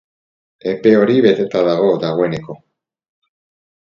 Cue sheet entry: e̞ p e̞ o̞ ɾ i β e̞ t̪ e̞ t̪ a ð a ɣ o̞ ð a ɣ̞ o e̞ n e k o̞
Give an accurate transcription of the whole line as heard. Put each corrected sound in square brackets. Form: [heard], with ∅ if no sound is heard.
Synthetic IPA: e̞ p e̞ o̞ ɾ i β e̞ t̪ e̞ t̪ a ð a ɣ o̞ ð a ɣ̞ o e̞ n e k o̞